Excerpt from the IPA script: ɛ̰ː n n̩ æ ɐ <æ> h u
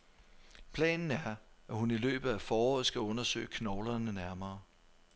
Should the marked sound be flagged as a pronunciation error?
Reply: no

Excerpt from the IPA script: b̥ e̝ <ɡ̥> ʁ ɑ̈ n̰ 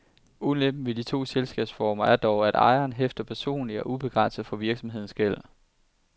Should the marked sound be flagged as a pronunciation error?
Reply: no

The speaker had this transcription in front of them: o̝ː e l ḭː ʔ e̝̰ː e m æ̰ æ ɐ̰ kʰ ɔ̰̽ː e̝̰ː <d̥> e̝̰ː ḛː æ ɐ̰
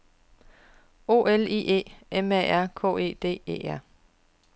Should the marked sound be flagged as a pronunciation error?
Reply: no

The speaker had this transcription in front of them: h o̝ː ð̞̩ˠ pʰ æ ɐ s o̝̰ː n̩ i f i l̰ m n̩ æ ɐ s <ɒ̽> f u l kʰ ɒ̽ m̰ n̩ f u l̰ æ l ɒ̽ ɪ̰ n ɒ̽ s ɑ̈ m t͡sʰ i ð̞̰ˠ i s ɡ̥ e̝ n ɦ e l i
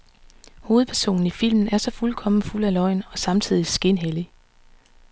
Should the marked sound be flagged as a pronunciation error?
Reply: no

